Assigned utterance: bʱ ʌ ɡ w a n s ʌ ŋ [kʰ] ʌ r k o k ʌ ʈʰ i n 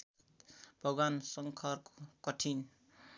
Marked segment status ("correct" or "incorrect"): correct